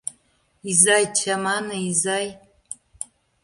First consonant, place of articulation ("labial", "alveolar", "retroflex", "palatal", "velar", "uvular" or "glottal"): alveolar